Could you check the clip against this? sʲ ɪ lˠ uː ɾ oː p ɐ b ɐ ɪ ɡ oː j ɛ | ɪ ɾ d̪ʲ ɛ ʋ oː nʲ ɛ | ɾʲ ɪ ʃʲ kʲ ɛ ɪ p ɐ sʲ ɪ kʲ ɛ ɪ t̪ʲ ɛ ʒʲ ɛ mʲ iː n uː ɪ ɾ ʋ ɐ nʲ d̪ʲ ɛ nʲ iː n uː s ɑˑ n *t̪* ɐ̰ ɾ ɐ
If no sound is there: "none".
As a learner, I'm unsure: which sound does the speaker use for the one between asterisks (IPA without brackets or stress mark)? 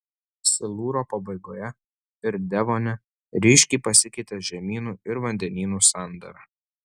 d̪